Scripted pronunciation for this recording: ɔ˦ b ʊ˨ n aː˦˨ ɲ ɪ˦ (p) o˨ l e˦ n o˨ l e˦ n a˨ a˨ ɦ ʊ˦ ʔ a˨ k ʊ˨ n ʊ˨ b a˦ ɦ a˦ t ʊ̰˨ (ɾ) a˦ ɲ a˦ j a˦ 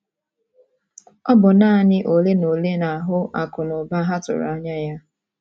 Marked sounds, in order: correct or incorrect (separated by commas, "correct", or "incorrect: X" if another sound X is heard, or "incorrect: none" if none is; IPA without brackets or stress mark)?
incorrect: ʔ, correct